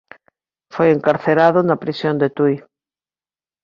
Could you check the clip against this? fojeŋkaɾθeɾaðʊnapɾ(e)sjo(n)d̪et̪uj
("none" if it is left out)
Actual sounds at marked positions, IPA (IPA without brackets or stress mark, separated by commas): i, n